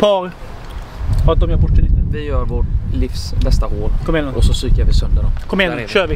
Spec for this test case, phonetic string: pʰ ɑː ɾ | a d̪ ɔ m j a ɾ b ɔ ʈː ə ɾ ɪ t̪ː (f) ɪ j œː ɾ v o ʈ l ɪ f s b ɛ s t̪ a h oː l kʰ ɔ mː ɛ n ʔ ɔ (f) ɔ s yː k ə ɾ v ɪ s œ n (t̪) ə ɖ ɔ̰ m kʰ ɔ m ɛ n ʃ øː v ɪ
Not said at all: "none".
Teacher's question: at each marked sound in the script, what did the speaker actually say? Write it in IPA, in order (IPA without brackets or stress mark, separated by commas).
v, s, d̪